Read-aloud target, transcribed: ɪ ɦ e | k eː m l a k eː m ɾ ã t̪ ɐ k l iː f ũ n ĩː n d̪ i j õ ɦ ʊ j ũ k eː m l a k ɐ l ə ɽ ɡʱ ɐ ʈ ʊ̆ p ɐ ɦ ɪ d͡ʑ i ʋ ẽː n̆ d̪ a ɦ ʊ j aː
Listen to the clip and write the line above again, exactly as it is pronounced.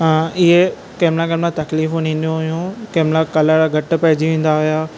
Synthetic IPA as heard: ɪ ɦ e | k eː m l a k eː m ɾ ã t̪ ɐ k l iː f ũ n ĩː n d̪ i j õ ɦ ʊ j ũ k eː m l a k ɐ l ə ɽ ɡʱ ɐ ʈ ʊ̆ p ɐ ɦ ɪ d͡ʑ i ʋ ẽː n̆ d̪ a ɦ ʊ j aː

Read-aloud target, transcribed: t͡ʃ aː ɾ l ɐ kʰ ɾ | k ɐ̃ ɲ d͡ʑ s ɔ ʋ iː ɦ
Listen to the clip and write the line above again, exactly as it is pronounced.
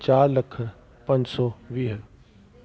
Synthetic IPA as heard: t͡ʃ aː ɾ l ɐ kʰ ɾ | p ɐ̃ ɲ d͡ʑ s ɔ ʋ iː ɦ

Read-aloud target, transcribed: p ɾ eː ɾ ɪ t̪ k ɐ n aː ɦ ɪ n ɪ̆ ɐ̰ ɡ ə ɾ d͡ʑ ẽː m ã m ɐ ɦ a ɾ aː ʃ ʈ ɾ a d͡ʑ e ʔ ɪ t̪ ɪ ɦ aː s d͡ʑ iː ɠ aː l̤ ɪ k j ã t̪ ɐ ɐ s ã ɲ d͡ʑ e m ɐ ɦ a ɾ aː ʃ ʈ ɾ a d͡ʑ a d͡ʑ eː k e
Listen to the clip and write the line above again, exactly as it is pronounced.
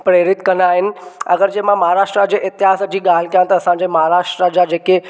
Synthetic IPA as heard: p ɾ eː ɾ ɪ t̪ k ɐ n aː ɦ ɪ n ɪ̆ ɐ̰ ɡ ə ɾ d͡ʑ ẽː m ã m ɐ ɦ a ɾ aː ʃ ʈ ɾ a d͡ʑ e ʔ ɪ t̪ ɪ ɦ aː s d͡ʑ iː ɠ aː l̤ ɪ k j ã t̪ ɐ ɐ s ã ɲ d͡ʑ e m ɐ ɦ a ɾ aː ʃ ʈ ɾ a d͡ʑ a d͡ʑ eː k e

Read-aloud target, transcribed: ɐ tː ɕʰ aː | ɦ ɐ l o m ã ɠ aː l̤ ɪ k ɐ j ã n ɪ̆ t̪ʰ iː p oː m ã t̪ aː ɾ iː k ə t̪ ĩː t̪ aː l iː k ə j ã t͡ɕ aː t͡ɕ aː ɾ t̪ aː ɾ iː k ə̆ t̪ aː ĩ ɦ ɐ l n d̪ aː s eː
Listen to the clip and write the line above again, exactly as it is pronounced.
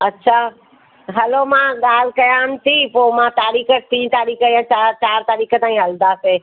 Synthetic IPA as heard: ɐ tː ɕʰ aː | ɦ ɐ l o m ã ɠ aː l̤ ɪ k ɐ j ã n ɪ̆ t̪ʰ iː p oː m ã t̪ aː ɾ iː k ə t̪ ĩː t̪ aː ɾ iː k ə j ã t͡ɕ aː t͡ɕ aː ɾ t̪ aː ɾ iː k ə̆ t̪ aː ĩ ɦ ɐ l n d̪ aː s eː

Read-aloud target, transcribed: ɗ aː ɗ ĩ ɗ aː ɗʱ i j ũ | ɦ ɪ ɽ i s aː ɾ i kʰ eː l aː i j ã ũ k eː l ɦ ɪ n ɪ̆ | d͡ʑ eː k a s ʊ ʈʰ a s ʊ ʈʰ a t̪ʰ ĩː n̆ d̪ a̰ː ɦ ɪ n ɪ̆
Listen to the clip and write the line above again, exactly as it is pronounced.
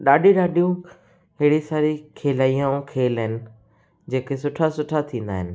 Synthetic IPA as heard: ɗ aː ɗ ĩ ɗ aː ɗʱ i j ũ | ɦ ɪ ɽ i s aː ɾ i kʰ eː l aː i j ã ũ kʰ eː l ɦ ɪ n ɪ̆ | d͡ʑ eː k e s ʊ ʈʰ a s ʊ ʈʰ a t̪ʰ ĩː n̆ d̪ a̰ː ɦ ɪ n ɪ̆

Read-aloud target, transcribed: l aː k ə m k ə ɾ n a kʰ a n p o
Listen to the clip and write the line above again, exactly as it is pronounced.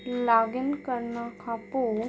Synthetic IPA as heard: l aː ɡ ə n k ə ɾ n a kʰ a p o

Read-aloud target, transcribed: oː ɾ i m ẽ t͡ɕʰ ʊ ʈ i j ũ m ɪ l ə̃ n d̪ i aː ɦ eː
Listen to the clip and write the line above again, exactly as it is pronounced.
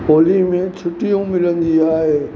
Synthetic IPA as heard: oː l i m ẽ t͡ɕʰ ʊ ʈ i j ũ m ɪ l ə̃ n d̪ i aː ɦ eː

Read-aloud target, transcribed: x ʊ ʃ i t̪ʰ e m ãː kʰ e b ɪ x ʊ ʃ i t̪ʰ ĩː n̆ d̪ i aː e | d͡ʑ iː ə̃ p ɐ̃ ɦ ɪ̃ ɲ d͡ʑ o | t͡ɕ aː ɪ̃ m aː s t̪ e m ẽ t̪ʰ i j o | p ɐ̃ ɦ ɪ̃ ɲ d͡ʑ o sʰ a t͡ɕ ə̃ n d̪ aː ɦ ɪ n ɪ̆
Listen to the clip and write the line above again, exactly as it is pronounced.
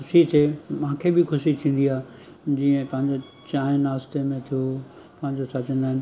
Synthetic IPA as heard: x ʊ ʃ i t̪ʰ e m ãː kʰ e b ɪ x ʊ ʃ i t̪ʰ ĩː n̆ d̪ i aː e | d͡ʑ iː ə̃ p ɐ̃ ɦ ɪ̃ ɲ d͡ʑ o | t͡ɕ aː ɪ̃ n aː s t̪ e m ẽ t̪ʰ i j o | p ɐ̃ ɦ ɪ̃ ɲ d͡ʑ o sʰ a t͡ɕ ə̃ n d̪ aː ɦ ɪ n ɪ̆

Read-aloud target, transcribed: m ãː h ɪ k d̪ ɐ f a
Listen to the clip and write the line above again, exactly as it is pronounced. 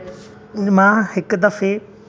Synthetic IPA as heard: m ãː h ɪ k d̪ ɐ f e

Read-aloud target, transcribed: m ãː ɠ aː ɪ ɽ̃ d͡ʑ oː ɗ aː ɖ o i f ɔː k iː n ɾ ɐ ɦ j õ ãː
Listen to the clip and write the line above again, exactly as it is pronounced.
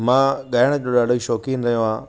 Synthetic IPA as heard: m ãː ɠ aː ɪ ɽ̃ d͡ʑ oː ɗ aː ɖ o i ʃ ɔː k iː n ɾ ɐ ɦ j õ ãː

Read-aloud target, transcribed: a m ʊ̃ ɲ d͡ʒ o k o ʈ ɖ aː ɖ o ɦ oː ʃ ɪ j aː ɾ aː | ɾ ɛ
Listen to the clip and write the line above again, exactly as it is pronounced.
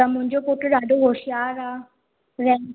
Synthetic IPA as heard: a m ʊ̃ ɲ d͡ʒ o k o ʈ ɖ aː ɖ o ɦ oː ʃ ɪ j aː ɾ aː | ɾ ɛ

